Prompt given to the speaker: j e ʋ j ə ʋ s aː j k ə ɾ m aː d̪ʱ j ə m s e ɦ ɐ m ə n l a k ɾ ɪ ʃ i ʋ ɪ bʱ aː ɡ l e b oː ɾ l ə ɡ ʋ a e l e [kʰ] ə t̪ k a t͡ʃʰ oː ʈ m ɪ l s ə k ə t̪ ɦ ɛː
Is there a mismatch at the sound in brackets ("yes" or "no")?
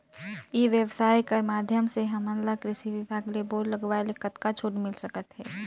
yes